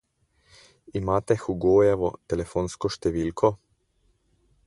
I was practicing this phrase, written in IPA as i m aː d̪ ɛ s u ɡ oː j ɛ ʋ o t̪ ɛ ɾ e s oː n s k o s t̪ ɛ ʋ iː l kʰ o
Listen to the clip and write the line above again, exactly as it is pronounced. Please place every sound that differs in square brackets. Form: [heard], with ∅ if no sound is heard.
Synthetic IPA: i m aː [t̪] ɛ [x] u ɡ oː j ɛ ʋ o t̪ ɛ [l] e [f] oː n s k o [ʃ] t̪ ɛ ʋ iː l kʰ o